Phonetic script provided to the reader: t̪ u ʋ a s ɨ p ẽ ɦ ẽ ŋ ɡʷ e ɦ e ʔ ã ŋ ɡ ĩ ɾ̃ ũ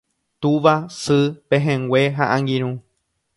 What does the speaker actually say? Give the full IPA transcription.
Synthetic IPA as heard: t̪ u ʋ a s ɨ p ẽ ɦ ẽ ŋ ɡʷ e ɦ a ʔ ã ŋ ɡ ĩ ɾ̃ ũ